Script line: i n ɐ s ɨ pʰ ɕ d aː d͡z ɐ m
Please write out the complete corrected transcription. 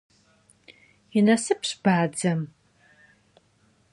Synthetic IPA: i n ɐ s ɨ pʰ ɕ b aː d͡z ɐ m